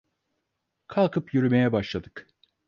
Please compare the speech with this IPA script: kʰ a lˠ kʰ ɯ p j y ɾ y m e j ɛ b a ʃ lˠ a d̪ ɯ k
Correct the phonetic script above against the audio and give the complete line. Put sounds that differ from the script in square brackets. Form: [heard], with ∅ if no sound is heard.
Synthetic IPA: kʰ a lˠ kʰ ɯ p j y ɾ y m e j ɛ b a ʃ lˠ a d̪ ɯ k